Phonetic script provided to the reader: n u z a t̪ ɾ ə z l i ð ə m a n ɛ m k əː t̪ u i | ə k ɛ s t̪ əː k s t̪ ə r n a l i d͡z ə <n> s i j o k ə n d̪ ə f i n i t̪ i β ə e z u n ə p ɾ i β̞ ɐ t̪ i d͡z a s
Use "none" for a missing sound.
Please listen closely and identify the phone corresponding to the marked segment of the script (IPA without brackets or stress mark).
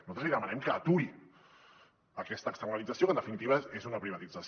none